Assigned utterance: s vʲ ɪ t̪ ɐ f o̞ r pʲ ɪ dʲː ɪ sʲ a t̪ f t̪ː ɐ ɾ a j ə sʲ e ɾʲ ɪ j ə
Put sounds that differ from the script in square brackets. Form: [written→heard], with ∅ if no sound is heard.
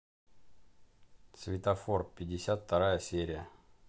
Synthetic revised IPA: s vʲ ɪ t̪ ɐ f o̞ r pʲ ɪ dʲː ɪ sʲ a t̪ f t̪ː ɐ ɾ a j ə sʲ e ɾʲ ɪ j ə